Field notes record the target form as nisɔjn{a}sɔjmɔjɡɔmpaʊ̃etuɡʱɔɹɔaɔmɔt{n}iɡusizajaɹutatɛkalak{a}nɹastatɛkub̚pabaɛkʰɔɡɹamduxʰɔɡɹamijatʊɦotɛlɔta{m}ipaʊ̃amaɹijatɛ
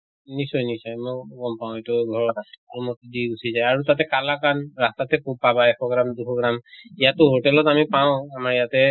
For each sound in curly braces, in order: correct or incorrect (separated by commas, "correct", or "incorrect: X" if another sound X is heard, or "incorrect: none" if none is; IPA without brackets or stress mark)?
incorrect: i, incorrect: d, correct, correct